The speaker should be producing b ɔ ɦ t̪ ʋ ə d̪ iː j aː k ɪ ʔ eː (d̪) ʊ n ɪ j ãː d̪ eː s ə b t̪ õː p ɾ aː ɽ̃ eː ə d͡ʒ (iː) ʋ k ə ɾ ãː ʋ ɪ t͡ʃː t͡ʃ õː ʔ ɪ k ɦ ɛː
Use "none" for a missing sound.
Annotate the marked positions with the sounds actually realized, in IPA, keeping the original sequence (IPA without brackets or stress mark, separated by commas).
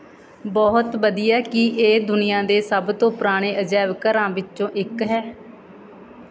d̪, ɛː